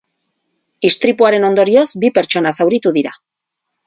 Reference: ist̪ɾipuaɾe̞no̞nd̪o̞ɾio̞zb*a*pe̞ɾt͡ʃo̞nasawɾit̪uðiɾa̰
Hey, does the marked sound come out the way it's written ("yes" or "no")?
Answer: no